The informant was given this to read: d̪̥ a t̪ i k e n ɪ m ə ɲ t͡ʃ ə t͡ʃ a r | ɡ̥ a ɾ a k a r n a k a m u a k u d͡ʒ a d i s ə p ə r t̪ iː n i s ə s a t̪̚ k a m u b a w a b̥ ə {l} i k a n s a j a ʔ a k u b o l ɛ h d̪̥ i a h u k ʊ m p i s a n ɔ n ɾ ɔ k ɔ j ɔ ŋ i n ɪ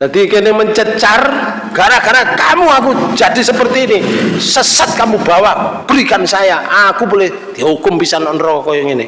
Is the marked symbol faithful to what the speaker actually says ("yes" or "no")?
no